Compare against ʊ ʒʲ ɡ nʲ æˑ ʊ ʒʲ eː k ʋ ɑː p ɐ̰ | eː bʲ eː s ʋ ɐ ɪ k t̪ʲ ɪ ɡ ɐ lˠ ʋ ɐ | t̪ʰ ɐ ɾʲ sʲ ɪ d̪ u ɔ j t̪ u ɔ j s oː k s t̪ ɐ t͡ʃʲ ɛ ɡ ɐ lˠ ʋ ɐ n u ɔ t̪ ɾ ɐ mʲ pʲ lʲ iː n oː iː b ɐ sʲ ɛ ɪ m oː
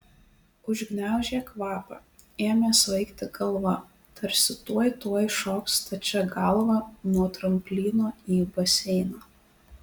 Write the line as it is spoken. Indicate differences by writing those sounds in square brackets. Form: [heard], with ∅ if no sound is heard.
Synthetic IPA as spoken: ʊ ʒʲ ɡ nʲ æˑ ʊ ʒʲ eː k ʋ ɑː p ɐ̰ | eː [mʲ] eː s ʋ ɐ ɪ k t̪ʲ ɪ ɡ ɐ lˠ ʋ ɐ | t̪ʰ ɐ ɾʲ sʲ ɪ [t̪] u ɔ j t̪ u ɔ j [ʃ] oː k s t̪ ɐ t͡ʃʲ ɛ ɡ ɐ lˠ ʋ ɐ n u ɔ t̪ ɾ ɐ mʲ pʲ lʲ iː n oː iː b ɐ sʲ ɛ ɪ [n] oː